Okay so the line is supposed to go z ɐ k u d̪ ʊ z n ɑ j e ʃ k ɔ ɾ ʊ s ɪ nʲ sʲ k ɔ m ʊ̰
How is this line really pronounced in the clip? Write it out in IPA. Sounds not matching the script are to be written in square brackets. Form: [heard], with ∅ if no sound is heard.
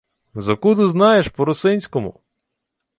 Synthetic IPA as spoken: z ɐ k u d̪ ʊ z n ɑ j e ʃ [p] ɔ ɾ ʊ s ɪ nʲ sʲ k ɔ m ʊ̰